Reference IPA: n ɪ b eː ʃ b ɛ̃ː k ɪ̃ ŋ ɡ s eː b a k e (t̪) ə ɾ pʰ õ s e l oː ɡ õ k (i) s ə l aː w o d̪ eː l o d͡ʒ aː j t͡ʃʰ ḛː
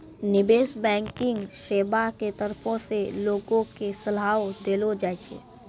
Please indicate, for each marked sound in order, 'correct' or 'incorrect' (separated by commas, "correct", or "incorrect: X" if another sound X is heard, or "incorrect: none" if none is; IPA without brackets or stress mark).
correct, incorrect: e